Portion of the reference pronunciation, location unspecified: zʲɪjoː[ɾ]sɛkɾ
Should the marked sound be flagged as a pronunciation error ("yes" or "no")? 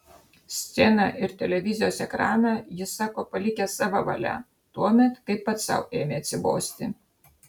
yes